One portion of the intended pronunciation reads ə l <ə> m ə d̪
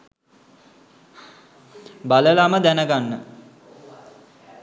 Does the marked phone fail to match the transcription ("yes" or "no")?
yes